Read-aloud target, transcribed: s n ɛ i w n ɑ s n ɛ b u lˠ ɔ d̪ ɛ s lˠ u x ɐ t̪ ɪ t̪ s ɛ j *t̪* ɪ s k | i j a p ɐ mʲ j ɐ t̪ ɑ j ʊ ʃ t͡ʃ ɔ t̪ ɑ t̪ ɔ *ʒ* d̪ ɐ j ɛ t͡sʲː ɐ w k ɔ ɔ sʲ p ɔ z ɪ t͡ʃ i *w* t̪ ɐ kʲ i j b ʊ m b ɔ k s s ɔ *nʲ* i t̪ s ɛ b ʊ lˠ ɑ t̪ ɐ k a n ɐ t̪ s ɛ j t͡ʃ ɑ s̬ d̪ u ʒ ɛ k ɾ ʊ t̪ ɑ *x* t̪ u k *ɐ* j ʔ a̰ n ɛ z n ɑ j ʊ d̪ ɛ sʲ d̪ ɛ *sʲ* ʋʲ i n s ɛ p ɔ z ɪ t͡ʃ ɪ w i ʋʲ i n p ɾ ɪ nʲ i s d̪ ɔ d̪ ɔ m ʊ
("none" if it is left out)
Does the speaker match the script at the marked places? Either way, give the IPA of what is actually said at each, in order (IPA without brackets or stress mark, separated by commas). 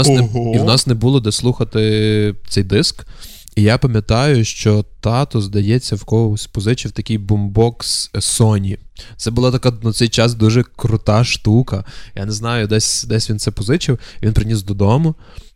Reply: d̪, z, w, nʲ, ʃ, ɐ, sʲ